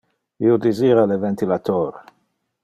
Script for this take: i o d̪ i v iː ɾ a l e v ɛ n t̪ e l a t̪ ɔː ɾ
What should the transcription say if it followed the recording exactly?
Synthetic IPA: i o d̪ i z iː ɾ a l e v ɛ n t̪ i l a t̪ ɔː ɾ